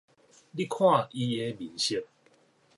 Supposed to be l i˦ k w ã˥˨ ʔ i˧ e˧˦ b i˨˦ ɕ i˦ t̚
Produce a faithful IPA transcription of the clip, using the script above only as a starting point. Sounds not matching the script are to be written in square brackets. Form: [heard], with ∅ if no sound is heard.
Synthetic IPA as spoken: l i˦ [kʰ] w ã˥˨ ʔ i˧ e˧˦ b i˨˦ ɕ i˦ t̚